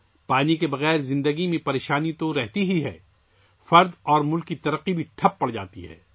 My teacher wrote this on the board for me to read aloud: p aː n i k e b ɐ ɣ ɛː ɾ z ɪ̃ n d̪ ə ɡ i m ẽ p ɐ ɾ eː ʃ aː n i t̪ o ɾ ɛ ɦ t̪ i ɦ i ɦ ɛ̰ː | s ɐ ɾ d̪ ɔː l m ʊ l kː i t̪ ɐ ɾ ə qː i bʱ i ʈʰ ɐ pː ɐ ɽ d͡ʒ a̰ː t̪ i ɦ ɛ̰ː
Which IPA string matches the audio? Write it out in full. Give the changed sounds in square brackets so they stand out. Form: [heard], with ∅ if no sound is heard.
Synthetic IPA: p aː n i k e b ɐ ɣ ɛː ɾ z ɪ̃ n d̪ ə ɡ i m ẽ p ɐ ɾ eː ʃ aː n i t̪ o ɾ ɛ ɦ t̪ i ɦ i ɦ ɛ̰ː | [f] ɐ ɾ d̪ ɔː [ɾ] m ʊ l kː i t̪ ɐ ɾ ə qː i bʱ i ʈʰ ɐ pː ɐ ɽ d͡ʒ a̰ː t̪ i ɦ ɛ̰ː

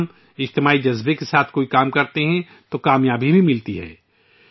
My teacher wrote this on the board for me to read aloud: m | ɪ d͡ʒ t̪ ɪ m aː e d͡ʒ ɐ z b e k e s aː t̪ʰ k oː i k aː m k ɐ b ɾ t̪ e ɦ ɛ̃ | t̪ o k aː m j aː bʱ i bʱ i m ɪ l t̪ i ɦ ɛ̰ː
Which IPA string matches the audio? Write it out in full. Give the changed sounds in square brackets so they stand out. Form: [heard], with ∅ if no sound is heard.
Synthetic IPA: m | ɪ d͡ʒ t̪ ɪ m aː [i] d͡ʒ ɐ z b e k e s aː t̪ʰ k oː i k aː m k ɐ [∅] ɾ t̪ e ɦ ɛ̃ | t̪ o k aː m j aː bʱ i bʱ i m ɪ l t̪ i ɦ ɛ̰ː

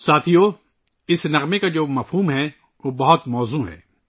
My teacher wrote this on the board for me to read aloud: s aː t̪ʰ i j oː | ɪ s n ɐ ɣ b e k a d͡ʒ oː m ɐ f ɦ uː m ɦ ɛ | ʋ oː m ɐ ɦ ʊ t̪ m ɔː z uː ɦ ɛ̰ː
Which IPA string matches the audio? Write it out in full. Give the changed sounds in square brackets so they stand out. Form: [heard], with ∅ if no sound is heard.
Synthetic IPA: s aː t̪ʰ i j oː | ɪ s n ɐ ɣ [m] e k a d͡ʒ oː m ɐ f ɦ uː m ɦ ɛ | ʋ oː [b] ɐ ɦ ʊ t̪ m ɔː z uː ɦ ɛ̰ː

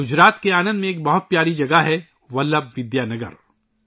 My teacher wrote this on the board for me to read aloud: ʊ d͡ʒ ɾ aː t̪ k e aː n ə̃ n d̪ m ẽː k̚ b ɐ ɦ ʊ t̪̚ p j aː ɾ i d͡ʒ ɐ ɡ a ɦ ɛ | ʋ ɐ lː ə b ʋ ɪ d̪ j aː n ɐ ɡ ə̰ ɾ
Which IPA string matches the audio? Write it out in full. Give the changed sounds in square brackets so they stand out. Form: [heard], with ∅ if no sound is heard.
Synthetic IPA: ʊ d͡ʒ ɾ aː t̪ k e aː n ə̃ n d̪ m ẽː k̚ b ɐ ɦ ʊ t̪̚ p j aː ɾ i d͡ʒ ɐ ɡ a ɦ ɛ | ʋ ɐ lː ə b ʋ ɪ d̪ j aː n ɐ ɡ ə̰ ɾ

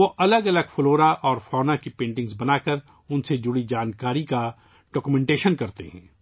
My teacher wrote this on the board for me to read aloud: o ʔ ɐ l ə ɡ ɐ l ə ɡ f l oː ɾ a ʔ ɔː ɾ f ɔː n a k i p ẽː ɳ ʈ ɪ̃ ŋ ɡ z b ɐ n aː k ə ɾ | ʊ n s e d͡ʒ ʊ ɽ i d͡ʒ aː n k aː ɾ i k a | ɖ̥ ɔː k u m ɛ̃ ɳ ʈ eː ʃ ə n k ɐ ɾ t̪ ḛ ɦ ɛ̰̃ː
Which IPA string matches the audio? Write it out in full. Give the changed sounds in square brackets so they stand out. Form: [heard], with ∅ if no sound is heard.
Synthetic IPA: o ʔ ɐ l ə ɡ ɐ l ə ɡ f l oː ɾ a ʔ ɔː ɾ f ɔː n a k i p ẽː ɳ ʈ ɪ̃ ŋ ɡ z b ɐ n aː k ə ɾ | ʊ n s e d͡ʒ ʊ ɽ i d͡ʒ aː n k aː ɾ i k a | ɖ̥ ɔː k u m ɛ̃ ɳ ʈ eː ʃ ə n k ɐ ɾ t̪ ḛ ɦ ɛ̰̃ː

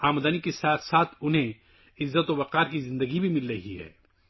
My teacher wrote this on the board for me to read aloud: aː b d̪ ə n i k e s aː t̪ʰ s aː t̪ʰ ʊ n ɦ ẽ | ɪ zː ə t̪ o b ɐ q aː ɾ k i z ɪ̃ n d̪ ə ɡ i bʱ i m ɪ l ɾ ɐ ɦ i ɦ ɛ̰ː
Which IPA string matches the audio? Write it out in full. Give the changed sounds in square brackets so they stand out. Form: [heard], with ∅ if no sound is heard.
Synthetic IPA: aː [m] d̪ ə n i k e s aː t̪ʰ s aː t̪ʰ ʊ n ɦ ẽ | ɪ zː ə t̪ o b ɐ q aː ɾ k i z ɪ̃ n d̪ ə ɡ i bʱ i m ɪ l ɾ ɐ ɦ i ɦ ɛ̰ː

